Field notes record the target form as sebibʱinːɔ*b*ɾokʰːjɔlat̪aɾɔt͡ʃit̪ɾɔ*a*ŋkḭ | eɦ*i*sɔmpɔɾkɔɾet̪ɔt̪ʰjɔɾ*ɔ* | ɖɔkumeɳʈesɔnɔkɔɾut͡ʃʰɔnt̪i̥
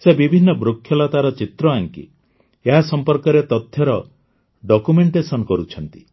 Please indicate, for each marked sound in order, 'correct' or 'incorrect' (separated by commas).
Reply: correct, correct, incorrect, correct